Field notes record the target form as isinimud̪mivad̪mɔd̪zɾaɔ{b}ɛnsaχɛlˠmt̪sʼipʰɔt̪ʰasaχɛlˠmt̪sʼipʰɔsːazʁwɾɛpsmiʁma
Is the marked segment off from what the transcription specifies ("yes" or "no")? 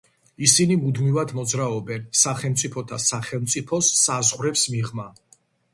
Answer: no